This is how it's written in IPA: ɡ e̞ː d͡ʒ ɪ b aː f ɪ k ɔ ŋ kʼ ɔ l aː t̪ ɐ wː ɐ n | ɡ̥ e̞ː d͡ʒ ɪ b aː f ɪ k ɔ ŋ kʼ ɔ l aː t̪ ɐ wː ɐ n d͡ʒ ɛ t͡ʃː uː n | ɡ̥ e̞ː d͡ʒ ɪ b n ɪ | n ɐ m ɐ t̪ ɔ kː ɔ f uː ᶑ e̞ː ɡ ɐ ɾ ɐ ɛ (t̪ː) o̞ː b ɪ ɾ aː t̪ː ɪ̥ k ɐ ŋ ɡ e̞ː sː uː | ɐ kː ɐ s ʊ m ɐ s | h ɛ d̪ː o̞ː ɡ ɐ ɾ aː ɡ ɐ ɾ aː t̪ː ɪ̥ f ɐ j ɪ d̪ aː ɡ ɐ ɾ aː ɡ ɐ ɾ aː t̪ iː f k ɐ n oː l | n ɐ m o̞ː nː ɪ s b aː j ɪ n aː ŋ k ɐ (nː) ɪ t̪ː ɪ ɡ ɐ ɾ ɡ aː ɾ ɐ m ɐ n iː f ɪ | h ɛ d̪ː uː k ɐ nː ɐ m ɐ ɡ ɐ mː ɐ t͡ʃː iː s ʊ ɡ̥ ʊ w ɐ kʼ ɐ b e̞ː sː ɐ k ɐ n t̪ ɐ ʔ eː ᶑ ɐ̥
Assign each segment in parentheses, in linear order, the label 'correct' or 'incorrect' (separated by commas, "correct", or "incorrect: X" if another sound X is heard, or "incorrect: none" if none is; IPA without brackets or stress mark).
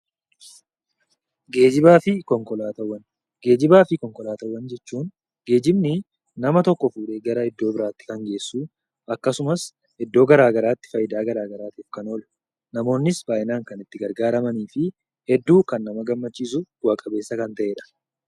incorrect: d̪ː, incorrect: n